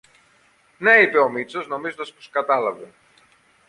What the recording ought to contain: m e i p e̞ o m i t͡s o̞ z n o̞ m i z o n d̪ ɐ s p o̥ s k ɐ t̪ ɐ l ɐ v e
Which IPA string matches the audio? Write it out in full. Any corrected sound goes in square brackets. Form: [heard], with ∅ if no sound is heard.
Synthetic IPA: [n] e i p e̞ o m i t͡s o̞ z n o̞ m i z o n d̪ ɐ s p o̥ s k ɐ t̪ ɐ l ɐ v e